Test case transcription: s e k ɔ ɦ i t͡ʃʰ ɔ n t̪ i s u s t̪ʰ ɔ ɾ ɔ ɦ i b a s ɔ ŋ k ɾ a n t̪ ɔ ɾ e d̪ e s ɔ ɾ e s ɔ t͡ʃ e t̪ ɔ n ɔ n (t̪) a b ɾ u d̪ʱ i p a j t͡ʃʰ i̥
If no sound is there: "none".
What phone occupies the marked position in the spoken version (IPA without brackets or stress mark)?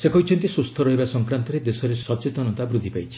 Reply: t̪